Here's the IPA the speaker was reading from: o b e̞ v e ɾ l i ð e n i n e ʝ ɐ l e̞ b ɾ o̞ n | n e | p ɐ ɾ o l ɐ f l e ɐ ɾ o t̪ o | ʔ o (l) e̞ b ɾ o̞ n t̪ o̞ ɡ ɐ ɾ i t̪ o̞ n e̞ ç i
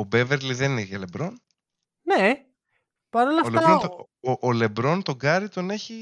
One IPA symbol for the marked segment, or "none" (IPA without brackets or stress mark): l